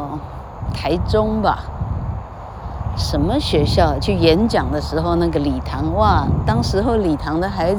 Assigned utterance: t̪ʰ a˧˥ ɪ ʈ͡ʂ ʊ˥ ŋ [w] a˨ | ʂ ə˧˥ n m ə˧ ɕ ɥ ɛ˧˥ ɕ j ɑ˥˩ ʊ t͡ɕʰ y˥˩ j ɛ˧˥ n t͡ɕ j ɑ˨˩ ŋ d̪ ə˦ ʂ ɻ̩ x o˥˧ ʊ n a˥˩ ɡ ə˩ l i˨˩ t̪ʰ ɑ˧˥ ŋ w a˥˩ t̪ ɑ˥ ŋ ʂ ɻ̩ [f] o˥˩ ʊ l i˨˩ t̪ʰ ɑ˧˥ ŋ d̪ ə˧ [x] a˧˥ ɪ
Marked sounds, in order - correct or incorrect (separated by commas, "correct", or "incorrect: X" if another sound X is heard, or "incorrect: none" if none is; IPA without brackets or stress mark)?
incorrect: b, incorrect: x, correct